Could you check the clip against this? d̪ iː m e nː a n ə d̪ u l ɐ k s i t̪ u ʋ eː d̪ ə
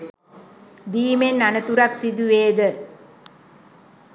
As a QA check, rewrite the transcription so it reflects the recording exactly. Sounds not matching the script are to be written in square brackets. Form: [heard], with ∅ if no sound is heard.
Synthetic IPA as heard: d̪ iː m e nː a n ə [t̪] u [ɾ] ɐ k s i [d̪] u ʋ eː d̪ ə